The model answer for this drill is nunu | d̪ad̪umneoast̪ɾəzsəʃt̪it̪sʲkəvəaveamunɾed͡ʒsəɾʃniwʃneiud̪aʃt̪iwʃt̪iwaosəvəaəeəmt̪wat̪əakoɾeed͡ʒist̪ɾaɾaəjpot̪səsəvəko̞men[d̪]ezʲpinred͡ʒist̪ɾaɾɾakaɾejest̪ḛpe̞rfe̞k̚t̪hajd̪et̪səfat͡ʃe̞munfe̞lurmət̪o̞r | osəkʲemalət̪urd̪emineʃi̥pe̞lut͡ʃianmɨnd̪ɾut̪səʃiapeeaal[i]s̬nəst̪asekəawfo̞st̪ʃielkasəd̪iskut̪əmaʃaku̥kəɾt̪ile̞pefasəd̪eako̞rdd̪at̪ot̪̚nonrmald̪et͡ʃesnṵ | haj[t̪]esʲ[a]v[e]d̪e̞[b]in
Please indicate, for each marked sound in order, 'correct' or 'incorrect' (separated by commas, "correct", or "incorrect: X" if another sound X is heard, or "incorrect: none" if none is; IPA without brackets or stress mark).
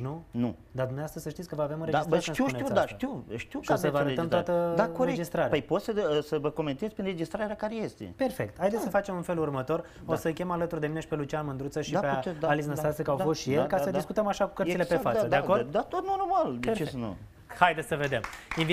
incorrect: t̪, correct, incorrect: d̪, incorrect: ə, correct, incorrect: m